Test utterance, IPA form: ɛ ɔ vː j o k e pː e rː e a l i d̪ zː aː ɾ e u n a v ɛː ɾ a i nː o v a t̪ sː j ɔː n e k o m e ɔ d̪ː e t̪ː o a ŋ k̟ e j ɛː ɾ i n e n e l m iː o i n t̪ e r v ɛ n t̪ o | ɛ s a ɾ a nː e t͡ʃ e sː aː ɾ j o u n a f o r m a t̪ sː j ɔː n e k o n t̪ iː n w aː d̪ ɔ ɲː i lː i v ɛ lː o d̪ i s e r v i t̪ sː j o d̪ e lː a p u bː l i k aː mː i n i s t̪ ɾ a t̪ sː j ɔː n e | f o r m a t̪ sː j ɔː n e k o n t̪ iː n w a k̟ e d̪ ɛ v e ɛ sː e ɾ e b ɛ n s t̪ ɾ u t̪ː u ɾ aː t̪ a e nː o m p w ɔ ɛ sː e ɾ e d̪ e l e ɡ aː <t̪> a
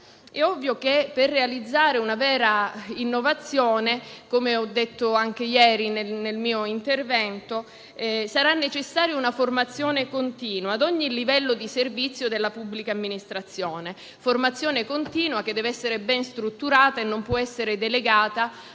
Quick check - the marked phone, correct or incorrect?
correct